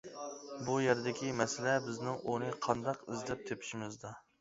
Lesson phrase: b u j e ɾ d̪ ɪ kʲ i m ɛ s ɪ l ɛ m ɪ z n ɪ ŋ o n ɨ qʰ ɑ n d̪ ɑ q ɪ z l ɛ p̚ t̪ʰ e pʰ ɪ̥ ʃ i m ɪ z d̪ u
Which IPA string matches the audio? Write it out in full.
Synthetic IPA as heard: b u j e ɾ d̪ ɪ kʲ i m ɛ s ɪ l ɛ b ɪ z n ɪ ŋ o n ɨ qʰ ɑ n d̪ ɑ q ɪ z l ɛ p̚ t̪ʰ e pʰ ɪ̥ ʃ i m ɪ z d̪ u